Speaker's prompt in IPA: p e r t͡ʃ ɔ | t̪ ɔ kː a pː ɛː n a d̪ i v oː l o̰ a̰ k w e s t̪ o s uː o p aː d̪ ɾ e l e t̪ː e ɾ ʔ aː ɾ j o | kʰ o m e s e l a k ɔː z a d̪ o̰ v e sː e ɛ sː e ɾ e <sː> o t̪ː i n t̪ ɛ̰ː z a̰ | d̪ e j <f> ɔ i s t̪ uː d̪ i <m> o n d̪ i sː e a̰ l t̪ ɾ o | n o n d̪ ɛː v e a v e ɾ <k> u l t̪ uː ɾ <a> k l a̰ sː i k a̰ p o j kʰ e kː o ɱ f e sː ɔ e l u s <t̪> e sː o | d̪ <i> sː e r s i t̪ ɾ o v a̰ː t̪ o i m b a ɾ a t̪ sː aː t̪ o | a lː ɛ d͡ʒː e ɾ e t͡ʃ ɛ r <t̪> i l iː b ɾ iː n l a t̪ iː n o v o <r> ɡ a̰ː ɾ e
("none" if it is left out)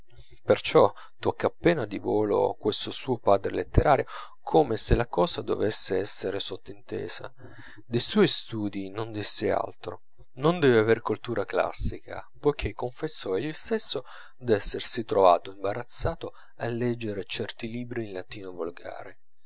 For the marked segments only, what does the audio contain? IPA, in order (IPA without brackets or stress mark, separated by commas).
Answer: s, s, n, k, a, t̪, ɛ, t̪, l